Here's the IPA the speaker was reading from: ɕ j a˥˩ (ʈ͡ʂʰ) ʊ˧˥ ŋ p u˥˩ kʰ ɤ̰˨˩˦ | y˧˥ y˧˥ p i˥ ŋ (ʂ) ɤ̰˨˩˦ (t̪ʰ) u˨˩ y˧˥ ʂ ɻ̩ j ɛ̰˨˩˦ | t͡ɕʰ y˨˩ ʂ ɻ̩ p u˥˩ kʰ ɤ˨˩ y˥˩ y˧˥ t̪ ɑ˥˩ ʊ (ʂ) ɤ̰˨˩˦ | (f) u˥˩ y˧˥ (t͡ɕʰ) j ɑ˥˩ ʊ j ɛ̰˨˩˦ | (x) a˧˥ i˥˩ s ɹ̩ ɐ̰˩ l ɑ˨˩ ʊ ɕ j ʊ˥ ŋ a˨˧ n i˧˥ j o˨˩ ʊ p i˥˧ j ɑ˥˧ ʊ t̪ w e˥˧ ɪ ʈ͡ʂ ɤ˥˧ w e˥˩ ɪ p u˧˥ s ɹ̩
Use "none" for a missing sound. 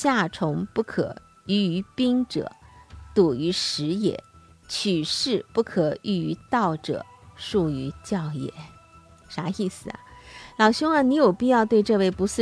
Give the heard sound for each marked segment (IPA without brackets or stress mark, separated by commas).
ʈ͡ʂʰ, ʈ͡ʂ, t̪, ʈ͡ʂ, ʂ, t͡ɕ, ʂ